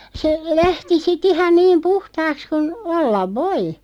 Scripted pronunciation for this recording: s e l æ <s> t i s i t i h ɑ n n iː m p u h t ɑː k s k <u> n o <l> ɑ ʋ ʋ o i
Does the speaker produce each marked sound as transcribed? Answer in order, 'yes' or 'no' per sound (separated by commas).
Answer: no, yes, no